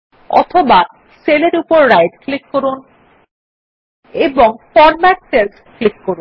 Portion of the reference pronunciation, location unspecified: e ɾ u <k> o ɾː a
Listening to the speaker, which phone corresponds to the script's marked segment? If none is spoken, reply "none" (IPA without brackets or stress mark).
p